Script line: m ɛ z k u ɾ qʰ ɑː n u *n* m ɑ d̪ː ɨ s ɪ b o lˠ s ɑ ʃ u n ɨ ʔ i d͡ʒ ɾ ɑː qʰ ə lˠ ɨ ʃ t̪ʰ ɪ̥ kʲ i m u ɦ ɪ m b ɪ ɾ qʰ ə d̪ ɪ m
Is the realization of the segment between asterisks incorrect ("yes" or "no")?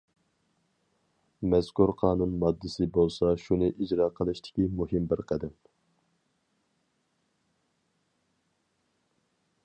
no